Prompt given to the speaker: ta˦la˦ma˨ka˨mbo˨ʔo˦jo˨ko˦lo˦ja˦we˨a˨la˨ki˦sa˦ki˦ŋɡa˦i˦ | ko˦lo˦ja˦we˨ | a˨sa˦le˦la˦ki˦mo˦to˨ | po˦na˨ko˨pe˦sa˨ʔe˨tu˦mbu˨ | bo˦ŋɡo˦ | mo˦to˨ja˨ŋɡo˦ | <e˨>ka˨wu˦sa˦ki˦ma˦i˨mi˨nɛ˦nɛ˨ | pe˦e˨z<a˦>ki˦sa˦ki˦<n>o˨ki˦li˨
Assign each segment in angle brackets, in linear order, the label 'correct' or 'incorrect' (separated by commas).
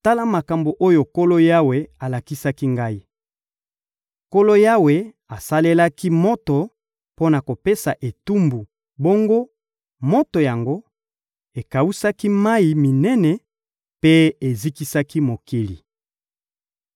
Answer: correct, incorrect, incorrect